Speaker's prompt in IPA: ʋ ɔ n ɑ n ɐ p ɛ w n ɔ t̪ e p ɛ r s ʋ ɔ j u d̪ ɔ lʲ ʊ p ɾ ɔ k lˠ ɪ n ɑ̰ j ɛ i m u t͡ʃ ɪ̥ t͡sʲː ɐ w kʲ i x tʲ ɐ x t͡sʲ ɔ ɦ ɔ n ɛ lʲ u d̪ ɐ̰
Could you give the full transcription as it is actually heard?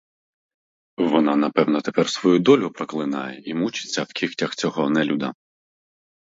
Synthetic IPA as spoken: ʋ ɔ n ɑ n ɐ p ɛ w n ɔ t̪ e p ɛ r s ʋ ɔ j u d̪ ɔ lʲ ʊ p ɾ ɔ k lˠ ɪ n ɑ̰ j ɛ i m u t͡ʃ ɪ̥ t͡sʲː ɐ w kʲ i x tʲ ɐ x t͡sʲ ɔ ɦ ɔ n ɛ lʲ u d̪ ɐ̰